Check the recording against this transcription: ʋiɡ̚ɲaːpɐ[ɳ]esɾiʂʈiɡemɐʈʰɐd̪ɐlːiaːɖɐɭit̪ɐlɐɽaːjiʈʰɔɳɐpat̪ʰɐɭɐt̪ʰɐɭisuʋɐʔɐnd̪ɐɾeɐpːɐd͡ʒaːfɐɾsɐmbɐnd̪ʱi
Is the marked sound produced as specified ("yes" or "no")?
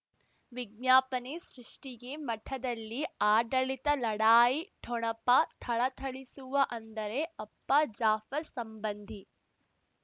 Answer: no